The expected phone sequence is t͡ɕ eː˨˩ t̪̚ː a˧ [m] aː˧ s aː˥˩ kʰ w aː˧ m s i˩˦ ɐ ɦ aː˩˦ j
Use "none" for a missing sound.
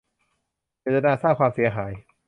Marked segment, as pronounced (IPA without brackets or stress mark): n